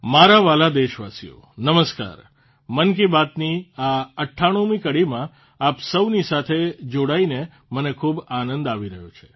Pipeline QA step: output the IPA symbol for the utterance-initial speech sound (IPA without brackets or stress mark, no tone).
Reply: m